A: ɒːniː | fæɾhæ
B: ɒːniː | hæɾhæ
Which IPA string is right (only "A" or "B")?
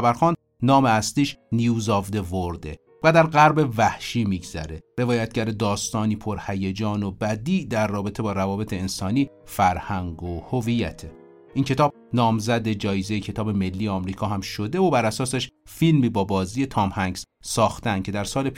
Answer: A